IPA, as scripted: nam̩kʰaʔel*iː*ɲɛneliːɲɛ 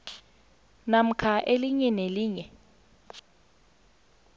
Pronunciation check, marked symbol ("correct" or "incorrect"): incorrect